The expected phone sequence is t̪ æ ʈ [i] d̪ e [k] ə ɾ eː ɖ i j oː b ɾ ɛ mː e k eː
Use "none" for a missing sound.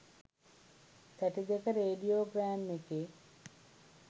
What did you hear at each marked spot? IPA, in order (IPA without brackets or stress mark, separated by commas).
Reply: i, k